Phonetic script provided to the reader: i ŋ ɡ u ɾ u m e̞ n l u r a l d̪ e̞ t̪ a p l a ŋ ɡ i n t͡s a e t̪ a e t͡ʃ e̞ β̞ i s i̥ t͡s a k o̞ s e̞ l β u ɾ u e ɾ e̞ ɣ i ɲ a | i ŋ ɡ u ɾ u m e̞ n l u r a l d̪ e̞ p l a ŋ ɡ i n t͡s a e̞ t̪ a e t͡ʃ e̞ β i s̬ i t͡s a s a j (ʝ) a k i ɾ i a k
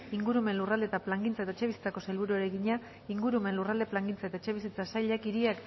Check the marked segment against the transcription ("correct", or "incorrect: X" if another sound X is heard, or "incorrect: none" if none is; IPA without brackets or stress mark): incorrect: ʎ